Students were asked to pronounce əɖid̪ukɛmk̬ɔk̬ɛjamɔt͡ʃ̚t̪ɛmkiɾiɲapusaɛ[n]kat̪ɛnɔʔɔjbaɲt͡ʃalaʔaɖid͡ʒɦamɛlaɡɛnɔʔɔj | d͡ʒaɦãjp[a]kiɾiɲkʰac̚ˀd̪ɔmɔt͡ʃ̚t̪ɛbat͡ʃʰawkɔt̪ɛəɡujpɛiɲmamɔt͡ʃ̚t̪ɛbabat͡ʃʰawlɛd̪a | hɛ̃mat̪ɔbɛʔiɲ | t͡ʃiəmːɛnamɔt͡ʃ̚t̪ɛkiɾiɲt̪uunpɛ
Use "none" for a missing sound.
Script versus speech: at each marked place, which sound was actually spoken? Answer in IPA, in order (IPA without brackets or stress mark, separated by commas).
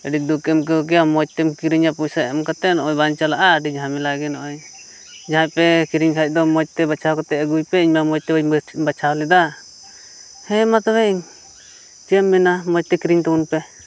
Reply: m, ɛ